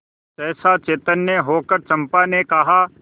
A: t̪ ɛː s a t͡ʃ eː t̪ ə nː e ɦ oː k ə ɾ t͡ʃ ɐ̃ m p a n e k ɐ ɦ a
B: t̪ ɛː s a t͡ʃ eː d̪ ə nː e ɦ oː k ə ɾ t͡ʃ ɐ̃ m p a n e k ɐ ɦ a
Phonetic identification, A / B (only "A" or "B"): A